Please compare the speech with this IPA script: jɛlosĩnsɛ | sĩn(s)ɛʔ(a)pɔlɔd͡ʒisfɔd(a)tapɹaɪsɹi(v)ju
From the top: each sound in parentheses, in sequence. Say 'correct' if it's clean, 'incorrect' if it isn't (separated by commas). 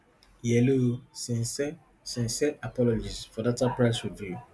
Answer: correct, correct, correct, correct